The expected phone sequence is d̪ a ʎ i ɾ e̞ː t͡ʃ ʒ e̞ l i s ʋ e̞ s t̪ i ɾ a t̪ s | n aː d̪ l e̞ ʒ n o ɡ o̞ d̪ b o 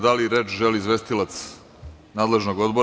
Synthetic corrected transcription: d̪ a l i ɾ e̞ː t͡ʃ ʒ e̞ l i z ʋ e̞ s t̪ i l a t̪ s | n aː d̪ l e̞ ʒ n o ɡ o̞ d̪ b o